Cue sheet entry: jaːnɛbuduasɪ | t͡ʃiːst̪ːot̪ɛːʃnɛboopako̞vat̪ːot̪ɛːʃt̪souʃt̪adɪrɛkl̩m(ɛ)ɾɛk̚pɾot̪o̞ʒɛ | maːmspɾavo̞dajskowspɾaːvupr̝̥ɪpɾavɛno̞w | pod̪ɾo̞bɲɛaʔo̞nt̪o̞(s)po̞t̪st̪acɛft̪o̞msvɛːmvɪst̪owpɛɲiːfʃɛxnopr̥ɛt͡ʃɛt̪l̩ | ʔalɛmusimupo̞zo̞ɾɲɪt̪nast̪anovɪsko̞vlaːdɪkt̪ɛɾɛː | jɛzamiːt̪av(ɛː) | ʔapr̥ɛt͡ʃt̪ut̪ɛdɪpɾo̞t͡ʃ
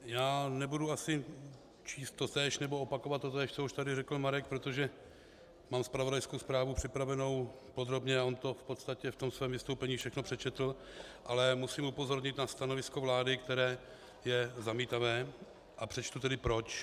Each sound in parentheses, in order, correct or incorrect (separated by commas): incorrect, incorrect, correct